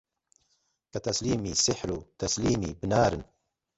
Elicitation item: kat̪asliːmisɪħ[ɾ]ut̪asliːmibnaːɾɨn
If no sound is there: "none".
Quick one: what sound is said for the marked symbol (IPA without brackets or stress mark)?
ɾ